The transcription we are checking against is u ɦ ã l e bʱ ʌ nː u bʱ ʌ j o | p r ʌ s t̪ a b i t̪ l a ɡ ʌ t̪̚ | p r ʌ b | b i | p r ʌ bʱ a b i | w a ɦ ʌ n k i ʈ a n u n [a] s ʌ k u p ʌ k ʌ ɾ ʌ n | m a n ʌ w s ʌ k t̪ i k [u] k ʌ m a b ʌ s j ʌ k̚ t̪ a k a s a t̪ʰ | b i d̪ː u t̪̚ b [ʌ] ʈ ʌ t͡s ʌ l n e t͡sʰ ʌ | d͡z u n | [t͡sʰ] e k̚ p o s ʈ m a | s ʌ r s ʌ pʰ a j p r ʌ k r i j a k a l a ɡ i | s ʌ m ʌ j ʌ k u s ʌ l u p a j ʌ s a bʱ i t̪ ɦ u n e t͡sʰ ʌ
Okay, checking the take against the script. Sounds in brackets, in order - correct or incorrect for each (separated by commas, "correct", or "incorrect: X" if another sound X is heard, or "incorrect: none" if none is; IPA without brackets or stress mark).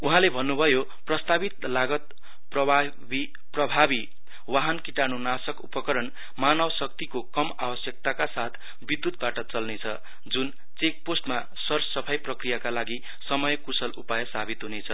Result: correct, incorrect: o, incorrect: a, incorrect: t͡s